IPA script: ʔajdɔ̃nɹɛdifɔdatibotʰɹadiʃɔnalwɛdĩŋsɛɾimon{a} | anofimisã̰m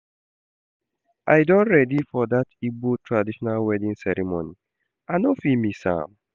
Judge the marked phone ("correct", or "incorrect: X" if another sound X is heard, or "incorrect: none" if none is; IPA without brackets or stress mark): incorrect: i